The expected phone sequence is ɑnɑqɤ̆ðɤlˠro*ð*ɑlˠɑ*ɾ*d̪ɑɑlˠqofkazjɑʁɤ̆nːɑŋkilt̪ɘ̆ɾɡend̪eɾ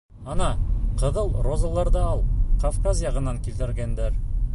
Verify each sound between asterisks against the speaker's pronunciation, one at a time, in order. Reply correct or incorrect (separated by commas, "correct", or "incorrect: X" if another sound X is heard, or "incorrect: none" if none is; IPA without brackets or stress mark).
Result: incorrect: z, correct